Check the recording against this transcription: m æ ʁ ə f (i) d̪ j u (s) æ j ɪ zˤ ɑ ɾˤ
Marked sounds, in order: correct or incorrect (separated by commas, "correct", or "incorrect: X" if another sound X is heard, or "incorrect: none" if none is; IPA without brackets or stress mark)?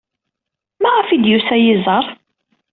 correct, correct